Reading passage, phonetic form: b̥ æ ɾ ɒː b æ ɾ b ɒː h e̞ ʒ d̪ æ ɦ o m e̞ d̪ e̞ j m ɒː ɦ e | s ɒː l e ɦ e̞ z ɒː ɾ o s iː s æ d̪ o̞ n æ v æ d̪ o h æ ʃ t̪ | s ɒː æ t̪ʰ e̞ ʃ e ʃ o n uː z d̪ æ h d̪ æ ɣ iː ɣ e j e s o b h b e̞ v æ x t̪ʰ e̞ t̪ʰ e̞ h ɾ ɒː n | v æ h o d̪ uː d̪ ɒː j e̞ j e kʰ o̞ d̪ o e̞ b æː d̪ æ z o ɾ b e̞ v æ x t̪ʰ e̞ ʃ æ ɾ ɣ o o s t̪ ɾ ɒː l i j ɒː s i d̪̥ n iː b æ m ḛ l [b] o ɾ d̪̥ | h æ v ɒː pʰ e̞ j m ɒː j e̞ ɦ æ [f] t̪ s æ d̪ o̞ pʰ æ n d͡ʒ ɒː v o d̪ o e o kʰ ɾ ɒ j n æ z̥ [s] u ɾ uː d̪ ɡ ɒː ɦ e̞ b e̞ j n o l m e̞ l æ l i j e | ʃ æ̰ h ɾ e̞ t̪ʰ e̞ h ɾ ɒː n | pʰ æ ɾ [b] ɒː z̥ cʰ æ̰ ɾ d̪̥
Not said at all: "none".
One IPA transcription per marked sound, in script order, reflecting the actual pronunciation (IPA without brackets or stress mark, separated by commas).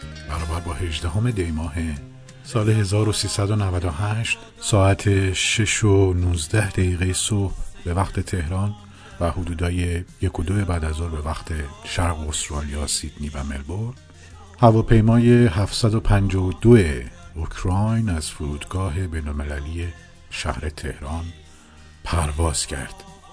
b, f, f, v